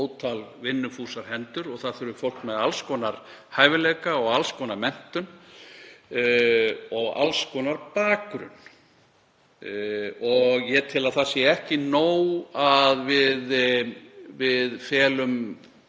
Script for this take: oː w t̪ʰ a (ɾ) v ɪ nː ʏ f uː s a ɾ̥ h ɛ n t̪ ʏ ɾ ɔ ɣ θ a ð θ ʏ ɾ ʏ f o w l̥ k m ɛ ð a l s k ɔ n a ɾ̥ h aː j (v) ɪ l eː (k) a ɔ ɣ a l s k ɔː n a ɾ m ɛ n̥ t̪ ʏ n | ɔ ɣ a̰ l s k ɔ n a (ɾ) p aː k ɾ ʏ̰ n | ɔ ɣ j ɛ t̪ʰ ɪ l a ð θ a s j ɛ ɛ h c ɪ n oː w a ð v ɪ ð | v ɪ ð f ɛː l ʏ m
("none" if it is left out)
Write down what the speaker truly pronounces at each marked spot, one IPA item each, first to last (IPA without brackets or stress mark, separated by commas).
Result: l, v, k, ɾ